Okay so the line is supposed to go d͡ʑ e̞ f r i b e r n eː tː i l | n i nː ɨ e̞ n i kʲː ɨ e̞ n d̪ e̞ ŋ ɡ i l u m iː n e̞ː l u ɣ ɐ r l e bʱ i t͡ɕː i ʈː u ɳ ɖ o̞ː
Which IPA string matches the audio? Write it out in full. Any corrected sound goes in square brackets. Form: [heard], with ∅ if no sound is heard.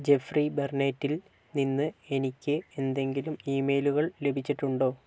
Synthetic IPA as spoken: d͡ʑ e̞ f r i b e r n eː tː i l | n i nː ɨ e̞ n i kʲː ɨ e̞ n d̪ e̞ ŋ ɡ i l u m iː [m] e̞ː l u ɣ ɐ [ɭ] l e bʱ i t͡ɕː i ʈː u ɳ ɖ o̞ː

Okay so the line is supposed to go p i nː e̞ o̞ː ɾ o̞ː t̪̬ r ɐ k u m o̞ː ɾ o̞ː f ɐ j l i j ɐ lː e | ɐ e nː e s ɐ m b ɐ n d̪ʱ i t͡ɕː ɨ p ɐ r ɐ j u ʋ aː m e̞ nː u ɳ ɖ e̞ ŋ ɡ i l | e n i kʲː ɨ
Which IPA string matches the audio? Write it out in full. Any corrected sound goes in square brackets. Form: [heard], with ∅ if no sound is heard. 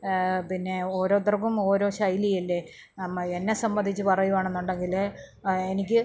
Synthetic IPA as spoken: p i nː e̞ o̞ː ɾ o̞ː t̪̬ r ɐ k u m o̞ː ɾ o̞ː [ɕ] ɐ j l i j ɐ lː e | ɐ e nː e s ɐ m b ɐ n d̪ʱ i t͡ɕː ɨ p ɐ r ɐ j u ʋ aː [ɳ] e̞ nː u ɳ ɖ e̞ ŋ ɡ i l | e n i kʲː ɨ

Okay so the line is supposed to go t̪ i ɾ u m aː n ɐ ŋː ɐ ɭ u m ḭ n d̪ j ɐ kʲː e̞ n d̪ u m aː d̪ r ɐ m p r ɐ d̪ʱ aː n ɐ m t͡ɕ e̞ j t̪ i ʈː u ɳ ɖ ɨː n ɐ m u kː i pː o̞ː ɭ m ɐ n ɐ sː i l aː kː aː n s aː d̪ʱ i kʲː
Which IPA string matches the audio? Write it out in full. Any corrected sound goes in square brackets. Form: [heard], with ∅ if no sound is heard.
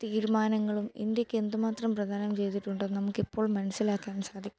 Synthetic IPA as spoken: t̪ [iː] ɾ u m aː n ɐ ŋː ɐ ɭ u m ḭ n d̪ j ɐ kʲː e̞ n d̪ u m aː [t̪] r ɐ m p r ɐ d̪ʱ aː n ɐ m t͡ɕ e̞ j t̪ i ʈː u ɳ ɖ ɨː n ɐ m u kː i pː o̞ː ɭ m ɐ n ɐ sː i l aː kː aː n s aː d̪ʱ i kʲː

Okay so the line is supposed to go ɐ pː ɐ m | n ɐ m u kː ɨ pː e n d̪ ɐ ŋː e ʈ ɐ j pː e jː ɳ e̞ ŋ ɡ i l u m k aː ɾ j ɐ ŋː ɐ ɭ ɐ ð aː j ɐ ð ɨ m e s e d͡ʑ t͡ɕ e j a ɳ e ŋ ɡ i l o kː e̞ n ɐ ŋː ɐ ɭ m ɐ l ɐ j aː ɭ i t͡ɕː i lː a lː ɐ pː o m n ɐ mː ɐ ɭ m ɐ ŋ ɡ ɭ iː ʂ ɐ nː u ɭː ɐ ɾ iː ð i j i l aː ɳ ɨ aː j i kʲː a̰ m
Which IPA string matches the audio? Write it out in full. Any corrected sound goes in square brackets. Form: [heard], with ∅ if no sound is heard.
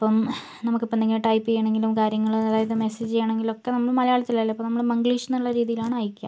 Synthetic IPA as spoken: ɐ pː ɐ m | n ɐ m u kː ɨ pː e n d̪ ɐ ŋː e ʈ ɐ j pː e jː ɳ e̞ ŋ ɡ i l u m k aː ɾ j ɐ ŋː ɐ ɭ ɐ ð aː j ɐ ð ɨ m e s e d͡ʑ t͡ɕ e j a ɳ e ŋ ɡ i l o kː e̞ n ɐ [mː] ɐ ɭ m ɐ l ɐ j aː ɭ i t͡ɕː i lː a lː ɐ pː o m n ɐ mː ɐ ɭ m ɐ ŋ ɡ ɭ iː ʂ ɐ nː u ɭː ɐ ɾ iː ð i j i l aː ɳ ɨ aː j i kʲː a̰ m

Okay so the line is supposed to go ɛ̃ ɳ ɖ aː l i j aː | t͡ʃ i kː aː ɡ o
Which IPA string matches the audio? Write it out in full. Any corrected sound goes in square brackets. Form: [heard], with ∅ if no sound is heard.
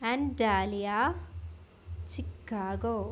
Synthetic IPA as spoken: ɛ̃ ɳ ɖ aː l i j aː | t͡ʃ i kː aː ɡ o

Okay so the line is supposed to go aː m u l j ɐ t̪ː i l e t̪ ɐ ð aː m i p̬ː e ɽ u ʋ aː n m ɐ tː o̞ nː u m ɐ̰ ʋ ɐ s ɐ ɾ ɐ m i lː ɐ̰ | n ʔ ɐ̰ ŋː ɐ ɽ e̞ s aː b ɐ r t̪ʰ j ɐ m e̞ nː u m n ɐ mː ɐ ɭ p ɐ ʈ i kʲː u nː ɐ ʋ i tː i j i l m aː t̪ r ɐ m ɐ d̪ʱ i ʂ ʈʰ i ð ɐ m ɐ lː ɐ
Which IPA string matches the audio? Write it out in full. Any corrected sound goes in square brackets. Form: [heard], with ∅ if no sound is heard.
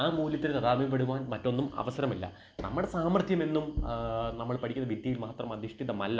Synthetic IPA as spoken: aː m [uː] l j ɐ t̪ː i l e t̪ ɐ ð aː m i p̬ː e ɽ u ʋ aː n m ɐ tː o̞ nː u m ɐ̰ ʋ ɐ s ɐ ɾ ɐ m i lː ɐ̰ | n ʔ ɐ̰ [mː] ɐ ɽ e̞ s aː [m] ɐ r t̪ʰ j ɐ m e̞ nː u m n ɐ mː ɐ ɭ p ɐ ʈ i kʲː u nː ɐ ʋ i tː i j i l m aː t̪ r ɐ m ɐ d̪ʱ i ʂ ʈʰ i ð ɐ m ɐ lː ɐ

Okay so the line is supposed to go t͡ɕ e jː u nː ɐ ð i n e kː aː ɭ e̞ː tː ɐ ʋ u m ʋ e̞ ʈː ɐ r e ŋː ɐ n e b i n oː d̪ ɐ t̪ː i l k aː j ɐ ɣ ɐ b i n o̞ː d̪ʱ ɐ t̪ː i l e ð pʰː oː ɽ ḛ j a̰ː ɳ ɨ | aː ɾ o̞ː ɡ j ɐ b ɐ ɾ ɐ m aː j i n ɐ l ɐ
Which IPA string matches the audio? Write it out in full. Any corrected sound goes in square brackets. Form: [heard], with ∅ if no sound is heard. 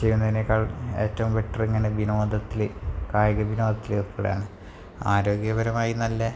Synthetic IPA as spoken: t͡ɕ e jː u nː ɐ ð i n e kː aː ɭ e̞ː tː ɐ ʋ u m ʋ e̞ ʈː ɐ r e ŋː ɐ n e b i n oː d̪ ɐ t̪ː i l k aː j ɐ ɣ ɐ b i n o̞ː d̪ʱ ɐ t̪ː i l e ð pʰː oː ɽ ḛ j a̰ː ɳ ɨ | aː ɾ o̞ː ɡ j ɐ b ɐ ɾ ɐ m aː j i n ɐ [lː] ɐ

